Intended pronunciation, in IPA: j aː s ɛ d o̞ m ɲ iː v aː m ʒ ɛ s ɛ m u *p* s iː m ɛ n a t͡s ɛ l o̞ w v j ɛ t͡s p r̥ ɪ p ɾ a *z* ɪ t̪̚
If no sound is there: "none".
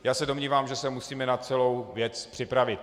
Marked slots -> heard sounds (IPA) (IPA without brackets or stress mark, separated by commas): none, v